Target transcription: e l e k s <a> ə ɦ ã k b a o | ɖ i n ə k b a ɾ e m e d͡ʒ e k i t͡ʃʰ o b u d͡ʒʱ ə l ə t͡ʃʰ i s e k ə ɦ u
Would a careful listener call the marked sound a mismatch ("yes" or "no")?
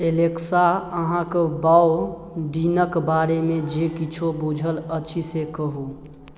no